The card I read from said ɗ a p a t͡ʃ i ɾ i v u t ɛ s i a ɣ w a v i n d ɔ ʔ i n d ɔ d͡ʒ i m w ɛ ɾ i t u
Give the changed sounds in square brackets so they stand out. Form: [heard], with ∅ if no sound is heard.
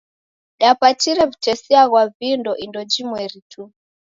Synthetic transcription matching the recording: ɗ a p a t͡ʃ i ɾ [ɛ] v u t ɛ s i a ɣ w a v i n d ɔ ʔ i n d ɔ d͡ʒ i m w ɛ ɾ i t u